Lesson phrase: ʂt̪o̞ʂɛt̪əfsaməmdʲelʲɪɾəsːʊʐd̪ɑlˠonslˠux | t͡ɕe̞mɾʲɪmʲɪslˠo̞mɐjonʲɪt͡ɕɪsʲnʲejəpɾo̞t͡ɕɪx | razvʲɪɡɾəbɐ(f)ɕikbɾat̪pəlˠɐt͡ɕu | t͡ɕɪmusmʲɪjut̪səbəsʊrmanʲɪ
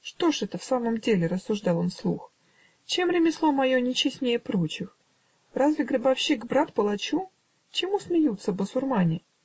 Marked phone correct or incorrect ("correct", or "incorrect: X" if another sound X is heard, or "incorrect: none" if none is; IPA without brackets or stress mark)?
correct